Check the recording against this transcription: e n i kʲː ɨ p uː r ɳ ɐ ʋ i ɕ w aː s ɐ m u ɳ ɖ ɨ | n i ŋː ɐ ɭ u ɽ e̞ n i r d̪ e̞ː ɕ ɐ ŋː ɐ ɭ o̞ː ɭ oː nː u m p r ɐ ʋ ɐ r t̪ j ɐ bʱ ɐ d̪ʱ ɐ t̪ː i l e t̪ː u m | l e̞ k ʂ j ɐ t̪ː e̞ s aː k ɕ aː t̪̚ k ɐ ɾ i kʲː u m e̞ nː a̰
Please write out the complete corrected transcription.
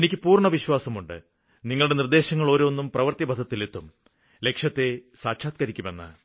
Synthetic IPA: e n i kʲː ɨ p uː r ɳ ɐ ʋ i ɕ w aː s ɐ m u ɳ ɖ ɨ | n i ŋː ɐ ɭ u ɽ e̞ n i r d̪ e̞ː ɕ ɐ ŋː ɐ ɭ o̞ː ɾ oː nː u m p r ɐ ʋ ɐ r t̪ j ɐ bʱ ɐ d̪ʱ ɐ t̪ː i l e t̪ː u m | l e̞ k ʂ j ɐ t̪ː e̞ s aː k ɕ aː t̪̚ k ɐ ɾ i kʲː u m e̞ nː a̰